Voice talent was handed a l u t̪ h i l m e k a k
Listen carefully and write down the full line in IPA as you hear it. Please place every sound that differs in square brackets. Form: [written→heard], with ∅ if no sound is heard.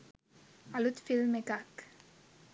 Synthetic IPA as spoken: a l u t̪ [h→f] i l m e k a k